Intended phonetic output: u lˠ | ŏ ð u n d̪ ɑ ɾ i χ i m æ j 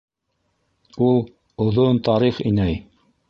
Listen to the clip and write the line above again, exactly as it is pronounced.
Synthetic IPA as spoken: u lˠ | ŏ ð o n t̪ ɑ ɾ i χ i n æ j